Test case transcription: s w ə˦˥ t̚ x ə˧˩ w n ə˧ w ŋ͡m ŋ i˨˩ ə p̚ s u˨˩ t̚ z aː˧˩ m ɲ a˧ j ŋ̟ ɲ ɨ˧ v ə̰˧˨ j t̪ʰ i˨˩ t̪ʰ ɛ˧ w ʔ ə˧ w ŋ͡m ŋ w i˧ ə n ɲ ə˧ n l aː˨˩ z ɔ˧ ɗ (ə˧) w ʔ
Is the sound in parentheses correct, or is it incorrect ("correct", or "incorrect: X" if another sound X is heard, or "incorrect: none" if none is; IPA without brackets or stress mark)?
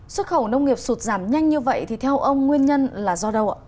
correct